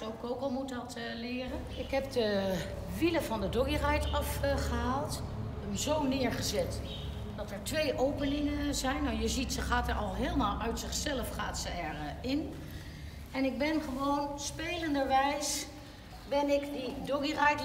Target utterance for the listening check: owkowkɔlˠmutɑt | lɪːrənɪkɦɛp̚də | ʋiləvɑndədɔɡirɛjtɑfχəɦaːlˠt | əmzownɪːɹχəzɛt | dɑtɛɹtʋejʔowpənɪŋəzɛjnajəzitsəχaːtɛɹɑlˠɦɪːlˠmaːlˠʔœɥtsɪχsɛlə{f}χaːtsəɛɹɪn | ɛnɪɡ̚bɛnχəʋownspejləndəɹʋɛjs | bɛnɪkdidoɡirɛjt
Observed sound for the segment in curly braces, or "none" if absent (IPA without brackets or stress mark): f